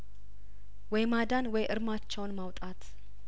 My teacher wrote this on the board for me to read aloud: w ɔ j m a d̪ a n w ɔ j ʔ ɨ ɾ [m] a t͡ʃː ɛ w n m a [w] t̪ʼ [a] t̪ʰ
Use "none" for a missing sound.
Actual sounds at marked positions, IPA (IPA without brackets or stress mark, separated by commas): m, w, a